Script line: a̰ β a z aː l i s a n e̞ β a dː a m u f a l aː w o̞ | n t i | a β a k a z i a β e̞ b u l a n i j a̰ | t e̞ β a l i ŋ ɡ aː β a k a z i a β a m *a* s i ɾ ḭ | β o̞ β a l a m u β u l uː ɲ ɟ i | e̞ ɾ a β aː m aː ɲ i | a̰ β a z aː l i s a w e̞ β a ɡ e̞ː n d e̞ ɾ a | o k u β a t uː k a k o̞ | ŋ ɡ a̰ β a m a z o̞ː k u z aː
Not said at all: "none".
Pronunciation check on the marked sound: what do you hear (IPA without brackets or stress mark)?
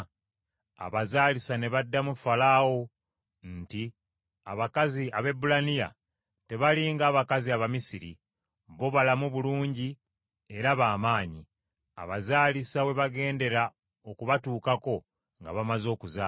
i